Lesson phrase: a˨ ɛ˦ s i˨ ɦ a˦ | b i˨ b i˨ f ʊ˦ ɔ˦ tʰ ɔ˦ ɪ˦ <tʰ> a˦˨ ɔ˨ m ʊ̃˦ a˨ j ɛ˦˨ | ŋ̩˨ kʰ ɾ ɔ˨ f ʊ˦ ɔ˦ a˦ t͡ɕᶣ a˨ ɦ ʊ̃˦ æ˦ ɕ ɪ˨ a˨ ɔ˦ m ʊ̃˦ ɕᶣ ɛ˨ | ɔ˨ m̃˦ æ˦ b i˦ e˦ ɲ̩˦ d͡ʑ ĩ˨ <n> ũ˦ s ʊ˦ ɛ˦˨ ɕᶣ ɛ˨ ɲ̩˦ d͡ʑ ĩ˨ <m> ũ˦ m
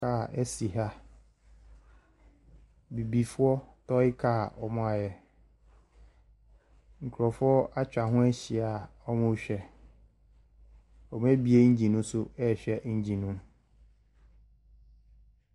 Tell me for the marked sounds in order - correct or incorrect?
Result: incorrect: kʰ, correct, incorrect: n

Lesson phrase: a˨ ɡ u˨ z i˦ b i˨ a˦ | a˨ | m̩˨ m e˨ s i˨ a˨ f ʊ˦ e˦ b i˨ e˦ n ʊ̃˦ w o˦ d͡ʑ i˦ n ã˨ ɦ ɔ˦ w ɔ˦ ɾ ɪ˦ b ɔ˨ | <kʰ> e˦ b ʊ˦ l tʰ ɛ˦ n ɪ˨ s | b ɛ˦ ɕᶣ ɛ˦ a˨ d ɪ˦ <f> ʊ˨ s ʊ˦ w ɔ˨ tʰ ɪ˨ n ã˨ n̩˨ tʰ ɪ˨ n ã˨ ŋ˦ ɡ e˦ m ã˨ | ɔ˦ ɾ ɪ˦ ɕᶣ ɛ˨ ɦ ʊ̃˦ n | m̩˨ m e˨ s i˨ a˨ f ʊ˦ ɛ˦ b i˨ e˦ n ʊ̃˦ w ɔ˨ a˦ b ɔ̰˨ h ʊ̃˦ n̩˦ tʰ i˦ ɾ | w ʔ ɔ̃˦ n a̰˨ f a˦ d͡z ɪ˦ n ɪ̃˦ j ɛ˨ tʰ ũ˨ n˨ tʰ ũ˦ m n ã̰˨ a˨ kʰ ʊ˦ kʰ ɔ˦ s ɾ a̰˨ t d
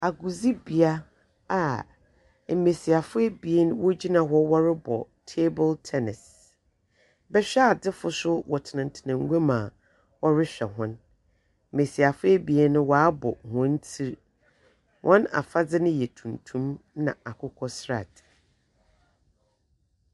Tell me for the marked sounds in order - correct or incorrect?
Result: incorrect: tʰ, correct

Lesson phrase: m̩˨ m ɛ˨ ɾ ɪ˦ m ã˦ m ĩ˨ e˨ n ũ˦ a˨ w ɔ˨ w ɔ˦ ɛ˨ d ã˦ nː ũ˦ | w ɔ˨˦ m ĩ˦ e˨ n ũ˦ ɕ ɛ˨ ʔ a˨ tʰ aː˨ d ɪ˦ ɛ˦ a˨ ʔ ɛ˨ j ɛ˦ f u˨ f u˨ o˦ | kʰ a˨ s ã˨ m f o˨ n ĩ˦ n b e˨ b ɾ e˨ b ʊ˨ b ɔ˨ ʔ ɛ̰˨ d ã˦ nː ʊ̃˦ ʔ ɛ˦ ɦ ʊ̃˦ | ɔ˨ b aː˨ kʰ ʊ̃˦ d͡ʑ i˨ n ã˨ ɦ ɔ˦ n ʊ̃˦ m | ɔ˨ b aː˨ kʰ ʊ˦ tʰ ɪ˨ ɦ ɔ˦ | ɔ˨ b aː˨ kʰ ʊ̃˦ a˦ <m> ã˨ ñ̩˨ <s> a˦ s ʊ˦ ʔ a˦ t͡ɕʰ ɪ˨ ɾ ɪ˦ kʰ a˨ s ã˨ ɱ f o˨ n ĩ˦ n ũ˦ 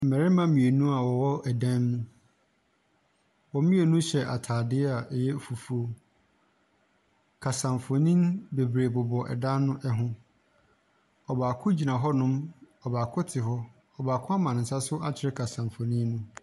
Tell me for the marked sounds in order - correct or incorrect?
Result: correct, correct

